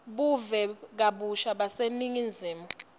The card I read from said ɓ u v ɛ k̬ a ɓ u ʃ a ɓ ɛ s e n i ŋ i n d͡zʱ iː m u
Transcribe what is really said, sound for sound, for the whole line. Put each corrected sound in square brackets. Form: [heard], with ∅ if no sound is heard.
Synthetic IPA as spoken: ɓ u v ɛ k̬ a ɓ u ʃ a ɓ [a] s e n i ŋ i n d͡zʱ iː m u